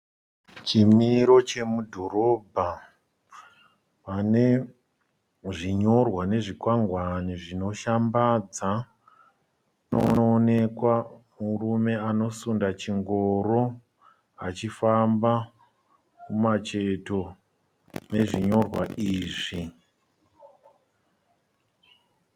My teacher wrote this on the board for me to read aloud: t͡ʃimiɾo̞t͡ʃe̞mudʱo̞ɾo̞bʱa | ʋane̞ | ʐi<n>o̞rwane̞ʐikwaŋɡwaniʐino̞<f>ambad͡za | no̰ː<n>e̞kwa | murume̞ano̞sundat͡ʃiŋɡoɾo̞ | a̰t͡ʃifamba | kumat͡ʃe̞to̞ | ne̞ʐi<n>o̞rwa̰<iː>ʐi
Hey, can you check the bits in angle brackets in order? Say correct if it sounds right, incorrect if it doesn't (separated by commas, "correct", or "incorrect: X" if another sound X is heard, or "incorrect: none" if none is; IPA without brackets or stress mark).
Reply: incorrect: ɲ, incorrect: ʃ, correct, incorrect: ɲ, correct